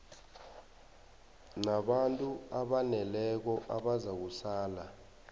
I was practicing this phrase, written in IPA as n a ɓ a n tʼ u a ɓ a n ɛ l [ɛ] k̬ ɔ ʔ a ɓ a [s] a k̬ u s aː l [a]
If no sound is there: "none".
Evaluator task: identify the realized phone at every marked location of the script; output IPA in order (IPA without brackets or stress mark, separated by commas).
ɛ, z, a